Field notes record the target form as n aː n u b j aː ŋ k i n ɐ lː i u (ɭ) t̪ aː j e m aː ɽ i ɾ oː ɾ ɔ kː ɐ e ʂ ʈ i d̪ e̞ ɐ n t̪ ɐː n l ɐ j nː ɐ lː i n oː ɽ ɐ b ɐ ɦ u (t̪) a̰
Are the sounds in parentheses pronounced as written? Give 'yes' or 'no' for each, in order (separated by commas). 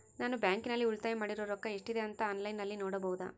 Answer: yes, no